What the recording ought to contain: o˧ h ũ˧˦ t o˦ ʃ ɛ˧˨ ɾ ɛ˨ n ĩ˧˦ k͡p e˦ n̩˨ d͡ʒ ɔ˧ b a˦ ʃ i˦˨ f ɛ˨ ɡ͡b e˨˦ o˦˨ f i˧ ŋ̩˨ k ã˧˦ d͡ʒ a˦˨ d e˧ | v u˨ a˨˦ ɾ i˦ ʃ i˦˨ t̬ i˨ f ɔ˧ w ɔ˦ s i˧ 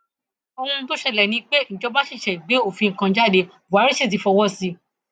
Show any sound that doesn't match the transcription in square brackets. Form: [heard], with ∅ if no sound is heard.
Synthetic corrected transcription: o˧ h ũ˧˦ t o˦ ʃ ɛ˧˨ [l] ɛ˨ n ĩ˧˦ k͡p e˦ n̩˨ d͡ʒ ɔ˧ b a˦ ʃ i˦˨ [ʃ] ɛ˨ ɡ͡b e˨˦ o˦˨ f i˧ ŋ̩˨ k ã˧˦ d͡ʒ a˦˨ d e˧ | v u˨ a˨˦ ɾ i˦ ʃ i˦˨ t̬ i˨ f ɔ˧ w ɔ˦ s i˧